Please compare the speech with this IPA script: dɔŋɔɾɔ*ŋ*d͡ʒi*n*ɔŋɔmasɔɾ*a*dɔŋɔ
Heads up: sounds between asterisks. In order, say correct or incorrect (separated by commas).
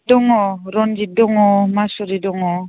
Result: incorrect, incorrect, incorrect